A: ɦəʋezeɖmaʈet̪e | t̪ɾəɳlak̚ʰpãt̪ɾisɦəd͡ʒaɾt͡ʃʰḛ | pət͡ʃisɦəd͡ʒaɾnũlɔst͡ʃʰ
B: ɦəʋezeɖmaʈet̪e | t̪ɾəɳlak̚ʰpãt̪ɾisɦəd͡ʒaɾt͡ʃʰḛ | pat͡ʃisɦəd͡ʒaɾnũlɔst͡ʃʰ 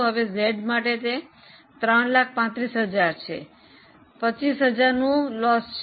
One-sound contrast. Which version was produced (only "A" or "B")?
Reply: A